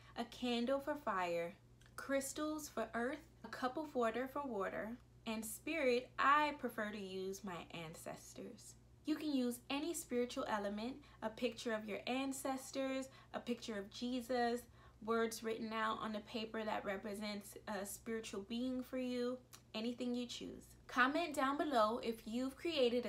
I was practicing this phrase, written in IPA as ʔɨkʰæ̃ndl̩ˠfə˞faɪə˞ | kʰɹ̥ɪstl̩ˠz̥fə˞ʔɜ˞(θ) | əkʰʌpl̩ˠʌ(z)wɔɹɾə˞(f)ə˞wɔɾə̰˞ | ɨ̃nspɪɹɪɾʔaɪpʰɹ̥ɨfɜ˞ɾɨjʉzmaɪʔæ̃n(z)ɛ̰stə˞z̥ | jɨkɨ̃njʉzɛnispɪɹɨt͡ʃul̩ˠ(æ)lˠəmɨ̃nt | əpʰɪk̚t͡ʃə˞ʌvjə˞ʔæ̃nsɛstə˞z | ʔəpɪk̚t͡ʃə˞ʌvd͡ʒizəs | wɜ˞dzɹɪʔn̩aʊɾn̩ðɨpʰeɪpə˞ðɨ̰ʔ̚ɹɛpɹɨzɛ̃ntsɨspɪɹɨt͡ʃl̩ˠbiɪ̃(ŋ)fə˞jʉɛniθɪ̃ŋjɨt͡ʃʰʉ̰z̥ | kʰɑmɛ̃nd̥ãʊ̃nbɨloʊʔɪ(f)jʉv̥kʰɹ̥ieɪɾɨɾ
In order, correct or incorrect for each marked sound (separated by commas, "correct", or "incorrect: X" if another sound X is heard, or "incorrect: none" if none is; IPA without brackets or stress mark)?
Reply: correct, incorrect: v, correct, incorrect: s, incorrect: ɛ, correct, correct